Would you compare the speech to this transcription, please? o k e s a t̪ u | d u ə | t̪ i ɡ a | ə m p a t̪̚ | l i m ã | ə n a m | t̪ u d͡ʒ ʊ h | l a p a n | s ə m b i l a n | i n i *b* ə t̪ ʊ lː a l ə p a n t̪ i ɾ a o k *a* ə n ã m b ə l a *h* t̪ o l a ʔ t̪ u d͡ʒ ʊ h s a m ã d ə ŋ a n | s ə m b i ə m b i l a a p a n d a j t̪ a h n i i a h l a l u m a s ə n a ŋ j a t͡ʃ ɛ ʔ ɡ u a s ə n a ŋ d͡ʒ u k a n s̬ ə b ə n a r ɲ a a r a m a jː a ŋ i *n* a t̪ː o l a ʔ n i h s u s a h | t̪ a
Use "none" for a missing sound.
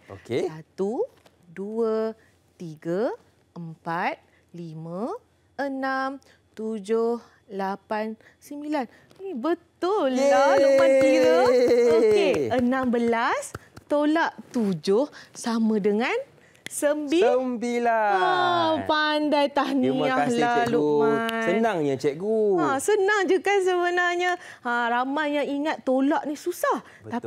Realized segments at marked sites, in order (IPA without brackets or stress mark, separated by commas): b, e, s, ŋ